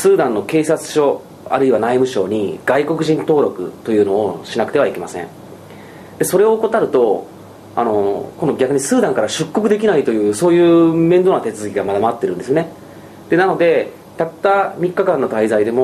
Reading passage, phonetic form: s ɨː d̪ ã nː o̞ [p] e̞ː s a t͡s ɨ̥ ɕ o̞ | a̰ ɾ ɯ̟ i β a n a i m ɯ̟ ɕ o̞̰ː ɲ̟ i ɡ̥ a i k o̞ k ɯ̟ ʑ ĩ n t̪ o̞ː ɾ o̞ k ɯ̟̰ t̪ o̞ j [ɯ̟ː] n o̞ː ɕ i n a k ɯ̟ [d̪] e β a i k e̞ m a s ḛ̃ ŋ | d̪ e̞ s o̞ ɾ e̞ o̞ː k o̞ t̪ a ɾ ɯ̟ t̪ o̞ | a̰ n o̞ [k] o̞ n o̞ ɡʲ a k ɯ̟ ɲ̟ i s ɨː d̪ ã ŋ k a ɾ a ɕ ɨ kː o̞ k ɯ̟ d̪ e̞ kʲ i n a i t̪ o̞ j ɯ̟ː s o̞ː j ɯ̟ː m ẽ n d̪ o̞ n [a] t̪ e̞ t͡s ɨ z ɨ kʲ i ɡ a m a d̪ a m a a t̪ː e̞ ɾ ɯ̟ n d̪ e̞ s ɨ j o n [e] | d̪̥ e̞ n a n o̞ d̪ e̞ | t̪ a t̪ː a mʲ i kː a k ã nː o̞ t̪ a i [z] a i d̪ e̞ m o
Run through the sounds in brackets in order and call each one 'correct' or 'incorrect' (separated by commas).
incorrect, correct, incorrect, correct, correct, correct, correct